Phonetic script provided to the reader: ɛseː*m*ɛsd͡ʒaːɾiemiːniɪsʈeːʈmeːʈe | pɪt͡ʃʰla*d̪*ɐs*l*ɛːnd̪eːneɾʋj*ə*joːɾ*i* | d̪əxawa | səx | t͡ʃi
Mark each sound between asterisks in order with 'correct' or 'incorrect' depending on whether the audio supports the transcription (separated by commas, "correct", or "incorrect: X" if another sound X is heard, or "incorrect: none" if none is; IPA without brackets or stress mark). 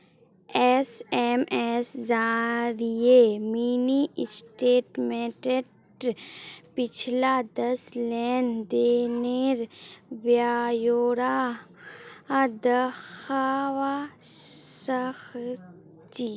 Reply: correct, correct, correct, incorrect: a, incorrect: a